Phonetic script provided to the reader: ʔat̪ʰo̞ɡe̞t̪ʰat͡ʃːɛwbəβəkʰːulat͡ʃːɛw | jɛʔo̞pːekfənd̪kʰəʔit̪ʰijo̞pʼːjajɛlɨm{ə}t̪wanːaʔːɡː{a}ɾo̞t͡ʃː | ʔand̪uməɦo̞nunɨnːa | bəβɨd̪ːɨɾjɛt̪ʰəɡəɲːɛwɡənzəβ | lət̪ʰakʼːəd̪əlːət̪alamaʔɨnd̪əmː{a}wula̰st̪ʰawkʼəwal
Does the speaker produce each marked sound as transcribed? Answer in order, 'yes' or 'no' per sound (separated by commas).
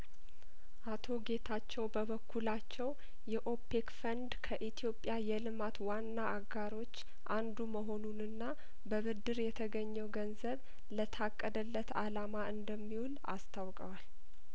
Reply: no, yes, no